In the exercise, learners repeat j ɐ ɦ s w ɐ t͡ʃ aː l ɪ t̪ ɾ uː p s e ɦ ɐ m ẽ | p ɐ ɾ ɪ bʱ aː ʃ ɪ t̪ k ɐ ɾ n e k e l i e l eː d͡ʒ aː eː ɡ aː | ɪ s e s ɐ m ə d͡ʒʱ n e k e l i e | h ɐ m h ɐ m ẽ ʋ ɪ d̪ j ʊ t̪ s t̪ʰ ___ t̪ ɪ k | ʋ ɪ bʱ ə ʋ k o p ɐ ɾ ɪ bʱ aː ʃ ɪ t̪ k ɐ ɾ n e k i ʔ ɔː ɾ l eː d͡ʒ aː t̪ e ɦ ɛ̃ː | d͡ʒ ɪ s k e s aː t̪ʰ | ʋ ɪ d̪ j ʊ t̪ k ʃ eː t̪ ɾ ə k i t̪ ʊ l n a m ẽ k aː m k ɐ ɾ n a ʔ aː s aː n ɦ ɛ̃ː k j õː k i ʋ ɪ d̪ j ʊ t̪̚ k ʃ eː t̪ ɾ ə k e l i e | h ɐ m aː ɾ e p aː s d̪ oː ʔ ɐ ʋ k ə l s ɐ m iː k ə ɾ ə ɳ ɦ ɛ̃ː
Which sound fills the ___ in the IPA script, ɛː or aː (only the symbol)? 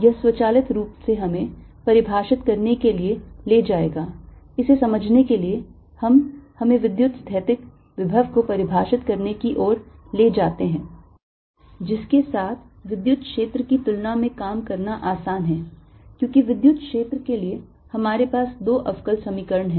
ɛː